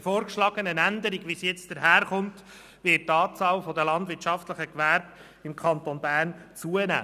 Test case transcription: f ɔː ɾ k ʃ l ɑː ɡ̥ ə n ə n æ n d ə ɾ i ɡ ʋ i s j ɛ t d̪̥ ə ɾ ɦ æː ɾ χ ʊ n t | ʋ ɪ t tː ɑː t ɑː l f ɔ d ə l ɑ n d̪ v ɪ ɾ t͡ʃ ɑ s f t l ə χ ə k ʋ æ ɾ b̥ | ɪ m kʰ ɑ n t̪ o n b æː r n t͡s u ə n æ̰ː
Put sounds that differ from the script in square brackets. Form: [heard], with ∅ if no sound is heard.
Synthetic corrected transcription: f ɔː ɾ k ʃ l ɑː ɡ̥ ə n ə n æ n d ə ɾ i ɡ ʋ i s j ɛ [t͡s] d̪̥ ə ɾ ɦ æː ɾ χ ʊ n t | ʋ ɪ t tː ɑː [t͡s] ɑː l f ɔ d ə l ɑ n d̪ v ɪ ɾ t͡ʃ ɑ [∅] f t l ə χ ə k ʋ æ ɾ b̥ | ɪ m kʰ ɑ n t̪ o n b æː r n t͡s u ə n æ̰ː

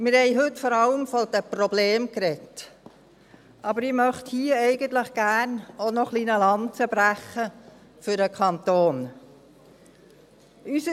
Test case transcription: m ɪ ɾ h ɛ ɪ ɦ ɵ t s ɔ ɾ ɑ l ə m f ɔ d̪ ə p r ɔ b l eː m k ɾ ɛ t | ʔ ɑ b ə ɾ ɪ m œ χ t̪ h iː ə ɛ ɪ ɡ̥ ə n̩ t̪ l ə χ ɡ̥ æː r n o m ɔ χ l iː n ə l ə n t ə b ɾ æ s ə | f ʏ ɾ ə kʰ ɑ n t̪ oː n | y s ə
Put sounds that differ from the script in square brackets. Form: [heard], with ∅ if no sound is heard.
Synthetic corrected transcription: m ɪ ɾ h ɛ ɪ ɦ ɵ t [f] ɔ ɾ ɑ l ə m f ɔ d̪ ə p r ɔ b l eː m k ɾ ɛ t | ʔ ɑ b ə ɾ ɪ m œ χ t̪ h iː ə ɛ ɪ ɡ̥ ə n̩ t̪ l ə χ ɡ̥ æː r n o [n] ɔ χ l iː n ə l [ɑ] n [t͡s] ə b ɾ æ [χ] ə | f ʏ ɾ ə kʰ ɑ n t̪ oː n | y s ə

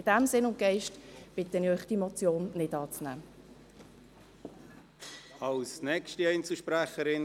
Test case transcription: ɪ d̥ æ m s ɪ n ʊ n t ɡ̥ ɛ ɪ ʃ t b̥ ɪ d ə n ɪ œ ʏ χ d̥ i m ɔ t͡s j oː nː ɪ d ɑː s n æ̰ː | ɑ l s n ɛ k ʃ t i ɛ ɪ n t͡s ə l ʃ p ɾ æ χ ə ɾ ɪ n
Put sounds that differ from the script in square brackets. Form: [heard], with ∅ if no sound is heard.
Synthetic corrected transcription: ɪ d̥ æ m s ɪ n ʊ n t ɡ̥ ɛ ɪ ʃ t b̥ ɪ [t] ə n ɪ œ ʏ χ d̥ i m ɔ t͡s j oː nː ɪ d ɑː [t͡s] n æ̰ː | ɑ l s n ɛ k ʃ t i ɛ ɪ n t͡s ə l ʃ p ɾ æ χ ə ɾ ɪ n

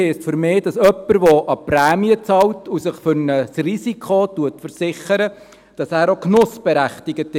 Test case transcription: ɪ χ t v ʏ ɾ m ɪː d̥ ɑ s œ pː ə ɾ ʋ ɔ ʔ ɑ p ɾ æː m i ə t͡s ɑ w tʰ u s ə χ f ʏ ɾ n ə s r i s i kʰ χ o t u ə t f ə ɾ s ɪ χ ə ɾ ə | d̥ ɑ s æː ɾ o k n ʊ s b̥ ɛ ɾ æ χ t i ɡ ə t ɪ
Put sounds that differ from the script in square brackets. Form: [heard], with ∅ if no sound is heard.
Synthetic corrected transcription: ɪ [s] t [f] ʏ ɾ m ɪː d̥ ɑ s œ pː ə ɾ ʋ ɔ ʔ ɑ p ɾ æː m i ə t͡s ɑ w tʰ u s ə χ f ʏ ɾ n ə s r i s i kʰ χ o t u ə t f ə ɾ s ɪ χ ə ɾ ə | d̥ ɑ s æː ɾ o k n ʊ s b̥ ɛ ɾ æ χ t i ɡ ə t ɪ

